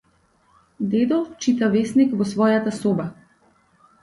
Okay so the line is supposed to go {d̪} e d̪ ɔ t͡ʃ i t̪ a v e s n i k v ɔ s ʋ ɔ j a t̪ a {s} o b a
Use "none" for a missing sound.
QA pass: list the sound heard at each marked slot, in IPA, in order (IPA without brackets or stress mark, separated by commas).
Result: d̪, s